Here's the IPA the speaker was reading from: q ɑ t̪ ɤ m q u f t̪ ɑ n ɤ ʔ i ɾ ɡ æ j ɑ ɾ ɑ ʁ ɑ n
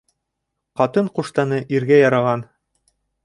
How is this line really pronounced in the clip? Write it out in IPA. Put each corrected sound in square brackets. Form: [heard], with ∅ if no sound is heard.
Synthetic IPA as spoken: q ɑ t̪ ɤ [ɴ] q u [ʃ] t̪ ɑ n ɤ ʔ i ɾ ɡ æ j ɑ ɾ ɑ ʁ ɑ n